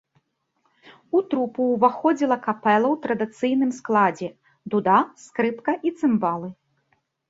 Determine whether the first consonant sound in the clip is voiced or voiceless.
voiceless